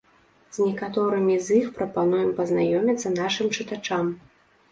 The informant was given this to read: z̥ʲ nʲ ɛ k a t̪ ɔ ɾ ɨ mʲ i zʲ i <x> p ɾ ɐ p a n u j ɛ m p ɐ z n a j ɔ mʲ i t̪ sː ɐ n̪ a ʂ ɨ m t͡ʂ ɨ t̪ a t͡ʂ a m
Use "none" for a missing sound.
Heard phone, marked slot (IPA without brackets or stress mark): x